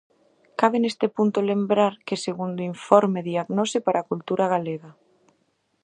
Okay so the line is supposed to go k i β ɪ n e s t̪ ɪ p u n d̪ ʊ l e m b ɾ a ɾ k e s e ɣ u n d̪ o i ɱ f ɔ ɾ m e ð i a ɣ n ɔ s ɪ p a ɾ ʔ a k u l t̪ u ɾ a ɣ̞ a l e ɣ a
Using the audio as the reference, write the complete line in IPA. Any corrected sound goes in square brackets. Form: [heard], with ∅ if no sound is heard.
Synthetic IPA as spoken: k [a] β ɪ n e s t̪ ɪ p u n [t̪] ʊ l e m b ɾ a ɾ k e s e ɣ u n d̪ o i ɱ f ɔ ɾ m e ð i a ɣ n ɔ s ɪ p a ɾ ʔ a k u l t̪ u ɾ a ɣ̞ a l e ɣ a